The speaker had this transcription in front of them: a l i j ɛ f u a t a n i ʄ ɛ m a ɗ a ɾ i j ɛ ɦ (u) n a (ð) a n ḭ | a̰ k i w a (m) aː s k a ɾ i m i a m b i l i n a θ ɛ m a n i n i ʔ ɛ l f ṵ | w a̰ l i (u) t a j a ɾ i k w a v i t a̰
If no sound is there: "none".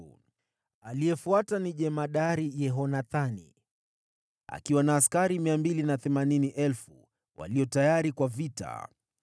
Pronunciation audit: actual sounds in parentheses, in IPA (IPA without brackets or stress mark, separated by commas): ɔ, θ, n, ɔ